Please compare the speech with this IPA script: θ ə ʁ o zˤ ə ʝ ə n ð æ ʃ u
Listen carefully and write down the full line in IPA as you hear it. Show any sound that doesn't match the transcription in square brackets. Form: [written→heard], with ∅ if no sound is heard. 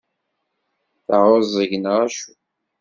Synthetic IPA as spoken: θ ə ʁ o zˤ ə ʝ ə n [ð→ʁ] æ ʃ u

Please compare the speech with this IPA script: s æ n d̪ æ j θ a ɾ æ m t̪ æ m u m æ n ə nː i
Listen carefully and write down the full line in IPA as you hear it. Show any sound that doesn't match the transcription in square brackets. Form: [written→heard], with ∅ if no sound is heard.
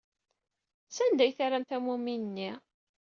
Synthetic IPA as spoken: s æ n d̪ æ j θ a ɾ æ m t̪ æ m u m [æ→i] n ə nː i

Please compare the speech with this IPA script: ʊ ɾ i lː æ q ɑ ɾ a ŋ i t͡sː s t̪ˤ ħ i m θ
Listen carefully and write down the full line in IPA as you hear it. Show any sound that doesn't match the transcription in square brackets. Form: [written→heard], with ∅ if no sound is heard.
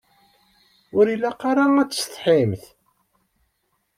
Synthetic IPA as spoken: ʊ ɾ i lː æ q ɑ ɾ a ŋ [i→æ] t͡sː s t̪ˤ ħ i m θ

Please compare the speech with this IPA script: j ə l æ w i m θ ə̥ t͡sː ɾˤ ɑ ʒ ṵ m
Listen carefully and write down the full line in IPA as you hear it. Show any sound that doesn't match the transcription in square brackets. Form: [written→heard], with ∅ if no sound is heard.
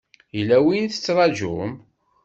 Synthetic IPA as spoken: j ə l æ w i [m→n] θ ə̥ t͡sː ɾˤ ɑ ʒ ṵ m

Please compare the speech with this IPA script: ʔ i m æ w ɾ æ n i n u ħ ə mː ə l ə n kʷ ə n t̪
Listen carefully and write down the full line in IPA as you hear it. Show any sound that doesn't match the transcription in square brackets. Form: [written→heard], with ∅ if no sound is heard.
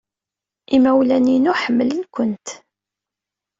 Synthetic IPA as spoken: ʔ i m æ w [ɾ→l] æ n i n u ħ ə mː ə l ə n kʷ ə n t̪

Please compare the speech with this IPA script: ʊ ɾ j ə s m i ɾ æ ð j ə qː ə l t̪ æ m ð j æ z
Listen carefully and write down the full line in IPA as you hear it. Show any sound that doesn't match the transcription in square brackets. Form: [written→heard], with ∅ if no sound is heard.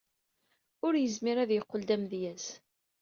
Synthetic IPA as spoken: ʊ ɾ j ə [s→z] m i ɾ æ ð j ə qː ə l [t̪→d̪] æ m ð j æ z

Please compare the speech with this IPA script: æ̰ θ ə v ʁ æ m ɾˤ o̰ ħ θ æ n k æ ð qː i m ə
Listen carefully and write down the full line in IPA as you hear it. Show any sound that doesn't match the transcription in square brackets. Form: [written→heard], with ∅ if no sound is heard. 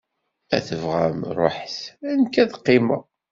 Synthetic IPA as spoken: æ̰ θ ə v ʁ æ m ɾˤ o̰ ħ θ æ n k æ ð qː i m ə

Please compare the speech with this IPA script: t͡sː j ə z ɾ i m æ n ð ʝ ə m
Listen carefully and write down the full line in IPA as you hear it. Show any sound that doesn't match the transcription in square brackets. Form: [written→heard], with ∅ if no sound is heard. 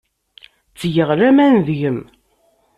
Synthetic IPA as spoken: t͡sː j ə [z→ʁ] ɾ [i→æ] m æ n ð ʝ ə m

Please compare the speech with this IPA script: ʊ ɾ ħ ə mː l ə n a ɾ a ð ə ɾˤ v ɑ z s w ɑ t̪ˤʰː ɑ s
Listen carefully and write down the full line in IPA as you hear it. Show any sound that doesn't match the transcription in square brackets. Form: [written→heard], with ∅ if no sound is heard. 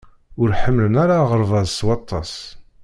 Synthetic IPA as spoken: ʊ ɾ ħ ə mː l ə n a ɾ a [ð→ʁ] ə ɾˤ v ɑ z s w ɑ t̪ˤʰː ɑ s

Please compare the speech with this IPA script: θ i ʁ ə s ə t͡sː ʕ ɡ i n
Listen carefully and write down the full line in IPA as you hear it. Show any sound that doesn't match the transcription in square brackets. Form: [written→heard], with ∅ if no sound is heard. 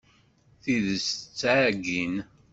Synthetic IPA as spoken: θ i [ʁ→ð] ə s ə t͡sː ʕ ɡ i n

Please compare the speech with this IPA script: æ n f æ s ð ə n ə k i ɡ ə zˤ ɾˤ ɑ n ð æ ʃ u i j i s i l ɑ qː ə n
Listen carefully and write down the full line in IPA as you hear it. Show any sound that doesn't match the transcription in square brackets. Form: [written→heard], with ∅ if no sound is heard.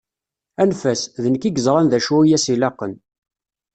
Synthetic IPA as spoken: æ n f æ s ð ə n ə k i ɡ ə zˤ ɾˤ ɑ n ð æ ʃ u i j [i→æ] s i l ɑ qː ə n

